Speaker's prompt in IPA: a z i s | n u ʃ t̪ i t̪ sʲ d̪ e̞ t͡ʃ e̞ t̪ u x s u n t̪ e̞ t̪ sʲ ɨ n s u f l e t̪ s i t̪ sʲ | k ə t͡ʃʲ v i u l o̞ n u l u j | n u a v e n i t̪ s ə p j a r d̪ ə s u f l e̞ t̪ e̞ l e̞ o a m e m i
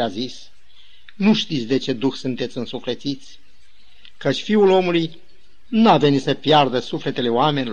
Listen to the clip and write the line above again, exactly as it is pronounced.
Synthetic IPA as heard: a z i s | n u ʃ t̪ i t̪ sʲ d̪ e̞ t͡ʃ e̞ d̪ u x s u n t̪ e̞ t̪ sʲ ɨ n s u f l e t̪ s i t̪ sʲ | k ə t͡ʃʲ f i u l o̞ m u l u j | n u a v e n i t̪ s ə p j a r d̪ ə s u f l e̞ t̪ e̞ l e̞ o a m e n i